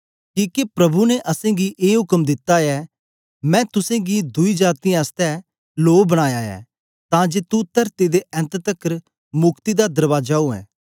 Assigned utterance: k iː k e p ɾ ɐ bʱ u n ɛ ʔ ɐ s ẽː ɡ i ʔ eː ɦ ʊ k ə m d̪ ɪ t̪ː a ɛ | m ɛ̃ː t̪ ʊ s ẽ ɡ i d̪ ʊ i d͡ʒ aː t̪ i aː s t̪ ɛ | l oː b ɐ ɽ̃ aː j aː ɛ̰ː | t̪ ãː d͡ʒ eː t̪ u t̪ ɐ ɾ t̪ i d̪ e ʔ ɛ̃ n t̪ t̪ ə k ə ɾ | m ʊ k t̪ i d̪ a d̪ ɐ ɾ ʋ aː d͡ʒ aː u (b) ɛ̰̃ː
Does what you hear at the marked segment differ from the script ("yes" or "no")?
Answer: yes